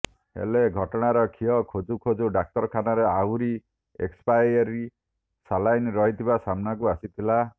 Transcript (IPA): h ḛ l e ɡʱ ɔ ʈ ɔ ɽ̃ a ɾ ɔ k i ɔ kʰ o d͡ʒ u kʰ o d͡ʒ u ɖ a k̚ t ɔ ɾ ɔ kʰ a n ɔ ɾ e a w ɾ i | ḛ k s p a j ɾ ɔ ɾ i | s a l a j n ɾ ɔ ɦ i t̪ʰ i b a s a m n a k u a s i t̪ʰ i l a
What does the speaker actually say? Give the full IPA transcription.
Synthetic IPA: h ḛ l e ɡʱ ɔ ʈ ɔ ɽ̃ a ɾ ɔ kʰ i ɔ kʰ o d͡ʒ u kʰ o d͡ʒ u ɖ a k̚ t ɔ ɾ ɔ kʰ a n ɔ ɾ e a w ɾ i | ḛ k s p a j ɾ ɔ ɾ i | s a l a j n ɾ ɔ ɦ i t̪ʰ i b a s a m n a k u a s i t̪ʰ i l a